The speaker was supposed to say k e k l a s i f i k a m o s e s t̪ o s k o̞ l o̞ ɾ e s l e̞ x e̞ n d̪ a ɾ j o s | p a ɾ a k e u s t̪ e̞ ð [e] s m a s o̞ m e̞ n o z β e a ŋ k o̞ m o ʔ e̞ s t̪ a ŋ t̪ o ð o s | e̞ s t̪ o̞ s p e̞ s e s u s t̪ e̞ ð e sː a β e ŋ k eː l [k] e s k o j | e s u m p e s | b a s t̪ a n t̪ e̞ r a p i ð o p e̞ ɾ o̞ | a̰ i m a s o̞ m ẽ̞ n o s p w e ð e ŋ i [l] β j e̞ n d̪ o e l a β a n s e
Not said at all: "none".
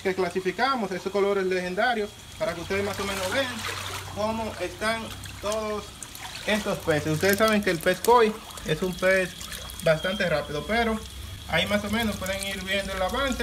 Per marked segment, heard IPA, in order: e, p, ɾ

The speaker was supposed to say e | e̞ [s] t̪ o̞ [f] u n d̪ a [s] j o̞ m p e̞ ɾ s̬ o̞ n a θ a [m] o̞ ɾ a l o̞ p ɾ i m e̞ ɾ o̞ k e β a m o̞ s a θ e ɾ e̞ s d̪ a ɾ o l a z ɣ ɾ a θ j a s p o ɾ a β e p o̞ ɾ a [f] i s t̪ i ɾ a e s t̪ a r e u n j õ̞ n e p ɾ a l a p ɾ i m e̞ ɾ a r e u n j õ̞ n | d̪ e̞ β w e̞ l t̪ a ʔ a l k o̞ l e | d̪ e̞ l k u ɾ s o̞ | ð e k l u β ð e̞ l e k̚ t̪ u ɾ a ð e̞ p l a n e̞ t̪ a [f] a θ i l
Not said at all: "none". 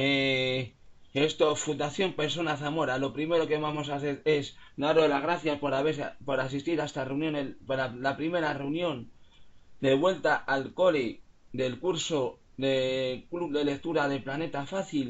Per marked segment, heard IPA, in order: s, f, θ, m, s, f

